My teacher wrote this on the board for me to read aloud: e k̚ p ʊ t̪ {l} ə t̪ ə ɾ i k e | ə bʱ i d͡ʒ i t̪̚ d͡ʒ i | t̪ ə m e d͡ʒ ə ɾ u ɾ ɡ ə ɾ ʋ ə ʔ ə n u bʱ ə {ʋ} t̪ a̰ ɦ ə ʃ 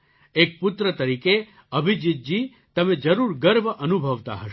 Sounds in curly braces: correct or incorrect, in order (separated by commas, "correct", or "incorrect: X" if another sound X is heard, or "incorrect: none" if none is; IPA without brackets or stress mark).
incorrect: ɾ, correct